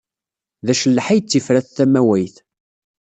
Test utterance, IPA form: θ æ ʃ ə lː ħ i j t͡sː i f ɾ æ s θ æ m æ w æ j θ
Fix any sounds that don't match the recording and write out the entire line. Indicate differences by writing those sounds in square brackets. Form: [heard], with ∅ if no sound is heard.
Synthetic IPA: [ð] æ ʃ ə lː ħ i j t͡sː i f ɾ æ [θ] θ æ m æ w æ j θ